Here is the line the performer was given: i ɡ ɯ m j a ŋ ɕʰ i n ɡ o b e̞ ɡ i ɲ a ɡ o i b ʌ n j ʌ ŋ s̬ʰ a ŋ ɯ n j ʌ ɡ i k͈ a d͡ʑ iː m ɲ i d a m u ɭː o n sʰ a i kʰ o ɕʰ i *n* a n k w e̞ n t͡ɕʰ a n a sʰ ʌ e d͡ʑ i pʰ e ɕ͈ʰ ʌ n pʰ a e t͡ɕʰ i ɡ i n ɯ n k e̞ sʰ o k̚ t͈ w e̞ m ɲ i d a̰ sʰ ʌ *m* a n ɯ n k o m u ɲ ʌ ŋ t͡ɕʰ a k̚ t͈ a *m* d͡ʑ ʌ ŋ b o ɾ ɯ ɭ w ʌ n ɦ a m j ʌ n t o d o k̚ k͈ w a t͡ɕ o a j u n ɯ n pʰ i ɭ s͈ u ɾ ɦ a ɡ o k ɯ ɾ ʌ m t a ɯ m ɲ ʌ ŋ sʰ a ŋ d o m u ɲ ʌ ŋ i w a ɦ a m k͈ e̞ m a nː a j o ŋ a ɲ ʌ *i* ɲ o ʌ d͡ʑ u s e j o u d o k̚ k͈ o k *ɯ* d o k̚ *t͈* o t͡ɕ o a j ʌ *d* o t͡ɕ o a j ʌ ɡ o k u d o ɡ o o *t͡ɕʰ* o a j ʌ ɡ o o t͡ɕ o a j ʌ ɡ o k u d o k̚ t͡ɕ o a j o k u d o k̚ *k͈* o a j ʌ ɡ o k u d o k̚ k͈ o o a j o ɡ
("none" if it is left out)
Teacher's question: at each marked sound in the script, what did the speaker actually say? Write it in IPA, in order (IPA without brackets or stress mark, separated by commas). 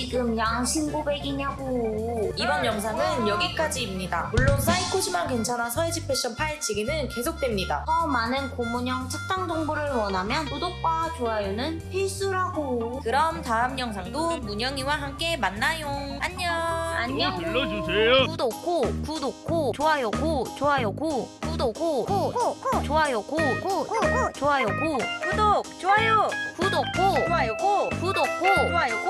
m, m, ŋ, a, u, k͈, ɡ, t͡ɕ, k͈